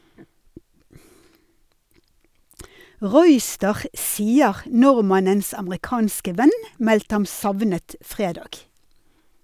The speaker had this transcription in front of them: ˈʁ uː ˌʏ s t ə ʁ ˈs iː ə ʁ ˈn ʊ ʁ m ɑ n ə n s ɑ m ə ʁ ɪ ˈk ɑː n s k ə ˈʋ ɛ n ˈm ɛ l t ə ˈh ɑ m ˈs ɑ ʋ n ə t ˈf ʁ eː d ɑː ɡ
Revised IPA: ˈʁ uː ˌʏ s t ə ʁ ˈs iː ə ʁ ˈn ʊ ʁ m ɑ n ə n s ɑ m ə ʁ ɪ ˈk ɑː n s k ə ˈʋ ɛ n ˈm ɛ l t ə ˈh ɑ m ˈs ɑ ʋ n ə t ˈf ʁ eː d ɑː ɡ